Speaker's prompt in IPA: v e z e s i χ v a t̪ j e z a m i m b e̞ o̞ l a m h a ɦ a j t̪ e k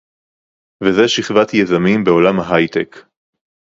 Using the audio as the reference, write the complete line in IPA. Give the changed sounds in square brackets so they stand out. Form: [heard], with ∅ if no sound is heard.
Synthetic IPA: v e z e [ʃ] i χ v a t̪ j e z a m i m b e̞ o̞ l a m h a ɦ a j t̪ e k